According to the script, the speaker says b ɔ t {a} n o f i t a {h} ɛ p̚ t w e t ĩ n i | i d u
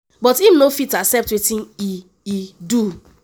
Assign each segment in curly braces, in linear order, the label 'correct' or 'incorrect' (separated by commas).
incorrect, incorrect